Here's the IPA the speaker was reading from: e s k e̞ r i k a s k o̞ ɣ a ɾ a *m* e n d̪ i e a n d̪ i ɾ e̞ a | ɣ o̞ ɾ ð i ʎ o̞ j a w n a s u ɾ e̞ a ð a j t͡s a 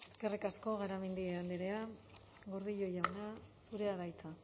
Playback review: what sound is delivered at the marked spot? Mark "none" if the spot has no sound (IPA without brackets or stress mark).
m